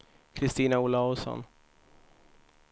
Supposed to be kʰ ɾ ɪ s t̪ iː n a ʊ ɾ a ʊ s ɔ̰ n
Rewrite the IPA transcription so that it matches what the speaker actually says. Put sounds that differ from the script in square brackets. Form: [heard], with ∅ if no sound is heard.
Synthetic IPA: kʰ ɾ ɪ s t̪ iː n a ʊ [l] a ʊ s ɔ̰ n